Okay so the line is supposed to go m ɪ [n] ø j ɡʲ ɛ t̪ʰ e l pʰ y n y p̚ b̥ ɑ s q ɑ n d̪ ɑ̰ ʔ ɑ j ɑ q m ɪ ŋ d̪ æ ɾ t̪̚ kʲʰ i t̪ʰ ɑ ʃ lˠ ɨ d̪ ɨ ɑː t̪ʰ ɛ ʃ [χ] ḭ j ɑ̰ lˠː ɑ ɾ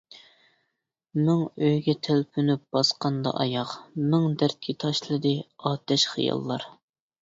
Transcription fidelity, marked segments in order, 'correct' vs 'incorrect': incorrect, correct

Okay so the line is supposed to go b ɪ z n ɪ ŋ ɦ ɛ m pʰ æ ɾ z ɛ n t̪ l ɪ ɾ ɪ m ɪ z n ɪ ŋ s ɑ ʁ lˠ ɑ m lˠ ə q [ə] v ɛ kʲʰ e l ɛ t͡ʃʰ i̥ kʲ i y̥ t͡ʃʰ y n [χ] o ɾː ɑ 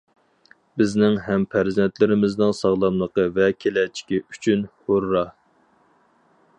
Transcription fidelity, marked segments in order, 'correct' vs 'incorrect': correct, incorrect

